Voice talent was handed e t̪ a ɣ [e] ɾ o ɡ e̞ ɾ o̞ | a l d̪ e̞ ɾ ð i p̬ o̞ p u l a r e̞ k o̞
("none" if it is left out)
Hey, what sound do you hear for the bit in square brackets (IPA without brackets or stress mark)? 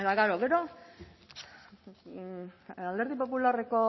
a